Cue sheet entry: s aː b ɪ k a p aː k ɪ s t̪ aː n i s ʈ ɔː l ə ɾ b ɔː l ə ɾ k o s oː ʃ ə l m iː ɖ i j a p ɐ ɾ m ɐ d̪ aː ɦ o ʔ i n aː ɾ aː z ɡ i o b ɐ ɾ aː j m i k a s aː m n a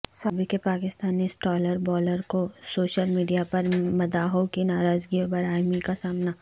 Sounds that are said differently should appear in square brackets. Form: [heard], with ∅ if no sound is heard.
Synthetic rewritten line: s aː b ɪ k [e] p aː k ɪ s t̪ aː n i s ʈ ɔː l ə ɾ b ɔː l ə ɾ k o s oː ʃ ə l m iː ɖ i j a p ɐ ɾ m ɐ d̪ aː ɦ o [k] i n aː ɾ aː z ɡ i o b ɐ ɾ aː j m i k a s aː m n a